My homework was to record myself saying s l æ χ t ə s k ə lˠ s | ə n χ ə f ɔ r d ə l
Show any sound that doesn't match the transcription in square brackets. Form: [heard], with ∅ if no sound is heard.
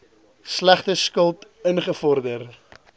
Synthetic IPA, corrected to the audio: s l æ χ t ə s k ə lˠ [t] | ə n χ ə f ɔ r d ə [r]